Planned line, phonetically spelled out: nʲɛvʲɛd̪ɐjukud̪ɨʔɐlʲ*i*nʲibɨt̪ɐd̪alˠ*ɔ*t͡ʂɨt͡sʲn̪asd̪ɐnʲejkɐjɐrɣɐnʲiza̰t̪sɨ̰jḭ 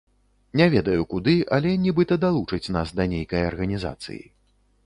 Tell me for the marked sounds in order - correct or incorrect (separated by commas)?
incorrect, incorrect